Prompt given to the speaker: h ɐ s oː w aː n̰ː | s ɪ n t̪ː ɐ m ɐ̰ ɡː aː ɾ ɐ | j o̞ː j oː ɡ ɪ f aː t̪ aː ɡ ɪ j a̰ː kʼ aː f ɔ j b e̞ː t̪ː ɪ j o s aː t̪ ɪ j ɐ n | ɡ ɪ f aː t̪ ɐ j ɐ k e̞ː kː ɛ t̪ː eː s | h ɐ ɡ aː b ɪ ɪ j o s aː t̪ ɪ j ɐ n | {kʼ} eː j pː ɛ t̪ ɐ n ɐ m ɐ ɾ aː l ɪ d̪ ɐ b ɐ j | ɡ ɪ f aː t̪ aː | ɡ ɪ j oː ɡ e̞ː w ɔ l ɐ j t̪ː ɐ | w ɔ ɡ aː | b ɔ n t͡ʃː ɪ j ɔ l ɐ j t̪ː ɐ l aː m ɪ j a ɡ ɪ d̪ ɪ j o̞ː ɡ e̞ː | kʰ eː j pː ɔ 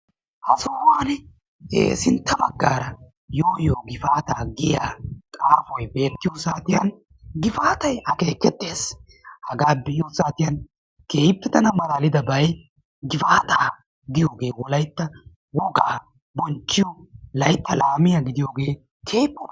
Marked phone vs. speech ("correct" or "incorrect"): incorrect